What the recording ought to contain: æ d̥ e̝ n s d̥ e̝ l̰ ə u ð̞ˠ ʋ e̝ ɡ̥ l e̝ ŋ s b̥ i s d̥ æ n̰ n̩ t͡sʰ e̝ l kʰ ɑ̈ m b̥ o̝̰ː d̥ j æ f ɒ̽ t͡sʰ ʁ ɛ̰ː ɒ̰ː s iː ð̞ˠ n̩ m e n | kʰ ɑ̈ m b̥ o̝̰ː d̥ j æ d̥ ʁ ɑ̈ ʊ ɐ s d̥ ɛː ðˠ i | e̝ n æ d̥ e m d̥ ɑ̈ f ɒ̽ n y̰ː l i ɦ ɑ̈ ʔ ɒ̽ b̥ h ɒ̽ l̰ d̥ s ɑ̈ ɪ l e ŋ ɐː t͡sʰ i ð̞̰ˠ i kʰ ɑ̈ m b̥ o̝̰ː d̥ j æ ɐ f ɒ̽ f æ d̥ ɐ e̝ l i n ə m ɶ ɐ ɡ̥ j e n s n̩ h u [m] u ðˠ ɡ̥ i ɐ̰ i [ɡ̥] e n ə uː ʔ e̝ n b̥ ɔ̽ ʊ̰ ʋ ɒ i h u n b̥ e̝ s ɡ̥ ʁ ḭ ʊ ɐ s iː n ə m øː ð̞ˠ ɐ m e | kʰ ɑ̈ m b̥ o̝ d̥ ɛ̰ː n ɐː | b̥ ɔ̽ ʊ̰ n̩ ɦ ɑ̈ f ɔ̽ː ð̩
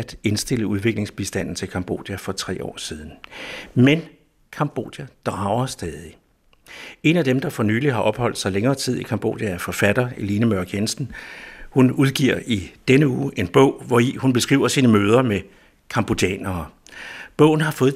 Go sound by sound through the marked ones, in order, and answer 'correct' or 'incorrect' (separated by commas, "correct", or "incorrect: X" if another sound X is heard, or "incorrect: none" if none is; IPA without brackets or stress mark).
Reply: incorrect: n, incorrect: d̥